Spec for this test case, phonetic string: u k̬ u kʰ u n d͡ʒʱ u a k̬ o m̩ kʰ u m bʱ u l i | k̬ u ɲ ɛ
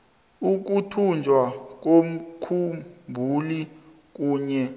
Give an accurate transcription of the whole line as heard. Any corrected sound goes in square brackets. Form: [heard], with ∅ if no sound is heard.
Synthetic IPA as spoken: u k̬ u [tʰ] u n d͡ʒʱ [w] a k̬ o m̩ kʰ u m bʱ u l i | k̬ [uː] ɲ ɛ

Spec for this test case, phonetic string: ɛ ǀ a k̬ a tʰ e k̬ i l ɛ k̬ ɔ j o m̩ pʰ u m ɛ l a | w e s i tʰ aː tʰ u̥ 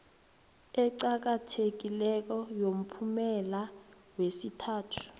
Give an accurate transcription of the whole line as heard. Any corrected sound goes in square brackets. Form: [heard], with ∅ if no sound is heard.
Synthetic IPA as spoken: ɛ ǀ a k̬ a tʰ e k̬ i l ɛ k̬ ɔ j o m̩ pʰ u m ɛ l a | w e s i tʰ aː tʰ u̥

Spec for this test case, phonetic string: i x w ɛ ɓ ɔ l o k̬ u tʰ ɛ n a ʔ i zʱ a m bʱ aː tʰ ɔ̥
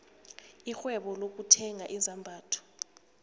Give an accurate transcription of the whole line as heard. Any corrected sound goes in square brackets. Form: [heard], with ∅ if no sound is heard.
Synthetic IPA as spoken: i x w ɛ ɓ ɔ l o k̬ u tʰ ɛ [ŋ] a ʔ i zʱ a m bʱ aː tʰ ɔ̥

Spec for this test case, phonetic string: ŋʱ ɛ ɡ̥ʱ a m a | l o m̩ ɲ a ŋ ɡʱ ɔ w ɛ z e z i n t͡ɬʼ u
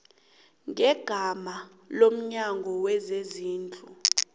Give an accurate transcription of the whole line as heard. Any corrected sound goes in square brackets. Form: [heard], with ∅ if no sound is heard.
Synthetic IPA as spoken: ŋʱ ɛ ɡ̥ʱ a m a | l o m̩ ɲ a ŋ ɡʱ ɔ w ɛ z e z [iː] n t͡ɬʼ u

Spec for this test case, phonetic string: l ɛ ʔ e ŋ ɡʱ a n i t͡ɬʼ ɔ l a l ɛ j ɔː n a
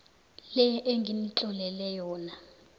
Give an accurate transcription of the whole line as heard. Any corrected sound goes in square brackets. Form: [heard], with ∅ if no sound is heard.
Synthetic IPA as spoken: l ɛ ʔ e ŋ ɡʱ [i] n i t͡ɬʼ ɔ l [ɛ] l ɛ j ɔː n a

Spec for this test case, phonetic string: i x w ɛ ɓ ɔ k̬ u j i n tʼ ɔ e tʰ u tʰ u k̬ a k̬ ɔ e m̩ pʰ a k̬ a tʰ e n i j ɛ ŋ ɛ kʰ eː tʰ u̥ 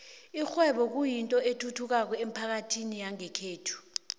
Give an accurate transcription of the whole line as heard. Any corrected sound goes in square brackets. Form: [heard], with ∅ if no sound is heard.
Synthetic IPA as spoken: i x w ɛ ɓ ɔ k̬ u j i n tʼ ɔ e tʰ u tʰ u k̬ a k̬ ɔ e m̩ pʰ a k̬ a tʰ [i] n i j [a] ŋ ɛ kʰ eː tʰ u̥

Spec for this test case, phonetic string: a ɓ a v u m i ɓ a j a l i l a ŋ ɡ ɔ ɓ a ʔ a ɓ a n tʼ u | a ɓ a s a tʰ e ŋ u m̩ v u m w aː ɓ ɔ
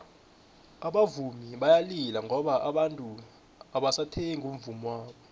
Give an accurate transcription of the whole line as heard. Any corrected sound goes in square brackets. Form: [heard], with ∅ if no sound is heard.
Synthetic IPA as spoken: a ɓ a v u m i ɓ a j a l i l a ŋ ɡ ɔ ɓ a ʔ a ɓ a n tʼ u | a ɓ a s a tʰ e ŋ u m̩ v u m w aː ɓ ɔ

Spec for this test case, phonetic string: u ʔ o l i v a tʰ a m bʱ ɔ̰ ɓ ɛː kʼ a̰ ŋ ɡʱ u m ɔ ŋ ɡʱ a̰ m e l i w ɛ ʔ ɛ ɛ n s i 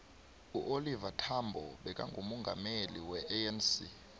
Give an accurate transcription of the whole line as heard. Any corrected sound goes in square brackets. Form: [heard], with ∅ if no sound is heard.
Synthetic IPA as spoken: u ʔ o l i v a tʰ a m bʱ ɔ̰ ɓ [ɛ] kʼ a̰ ŋ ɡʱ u m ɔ ŋ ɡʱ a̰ m e l i w ɛ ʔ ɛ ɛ n s i

